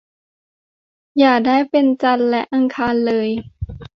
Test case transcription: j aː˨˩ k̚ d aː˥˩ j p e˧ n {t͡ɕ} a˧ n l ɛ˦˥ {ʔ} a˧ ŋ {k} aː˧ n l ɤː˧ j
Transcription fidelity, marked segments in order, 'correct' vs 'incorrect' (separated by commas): correct, correct, incorrect